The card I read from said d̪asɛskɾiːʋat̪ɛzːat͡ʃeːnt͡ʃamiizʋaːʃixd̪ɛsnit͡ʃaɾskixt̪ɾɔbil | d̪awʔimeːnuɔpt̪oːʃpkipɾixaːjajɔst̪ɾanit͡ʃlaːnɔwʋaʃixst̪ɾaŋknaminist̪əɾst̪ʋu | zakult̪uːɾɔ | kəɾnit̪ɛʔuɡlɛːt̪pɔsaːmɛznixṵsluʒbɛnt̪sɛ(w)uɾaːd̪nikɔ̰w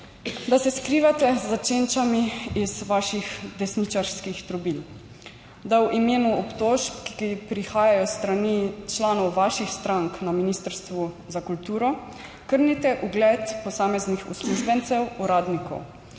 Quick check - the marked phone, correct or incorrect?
correct